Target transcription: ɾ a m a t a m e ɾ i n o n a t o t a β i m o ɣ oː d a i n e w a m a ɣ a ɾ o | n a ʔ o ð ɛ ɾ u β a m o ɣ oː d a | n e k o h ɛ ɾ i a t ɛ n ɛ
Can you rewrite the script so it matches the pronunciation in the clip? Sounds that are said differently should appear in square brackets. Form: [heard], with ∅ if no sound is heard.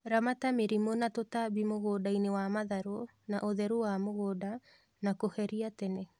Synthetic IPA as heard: ɾ a m a t a m e ɾ i [m] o n a t o t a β i m o ɣ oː d a i n e w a m a [ð] a ɾ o | n a ʔ o ð ɛ ɾ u [w] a m o ɣ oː d a | n [a] k o h ɛ ɾ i a t ɛ n ɛ